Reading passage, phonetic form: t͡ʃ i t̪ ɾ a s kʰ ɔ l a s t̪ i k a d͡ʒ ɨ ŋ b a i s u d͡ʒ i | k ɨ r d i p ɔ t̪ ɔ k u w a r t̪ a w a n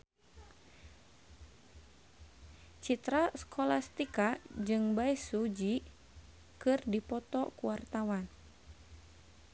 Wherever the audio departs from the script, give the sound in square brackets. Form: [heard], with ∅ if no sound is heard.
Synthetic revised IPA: t͡ʃ i t̪ ɾ a s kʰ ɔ l a s t̪ i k a d͡ʒ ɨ ŋ b a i s u d͡ʒ i | k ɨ r d i p ɔ t̪ ɔ k u w a r t̪ a w a n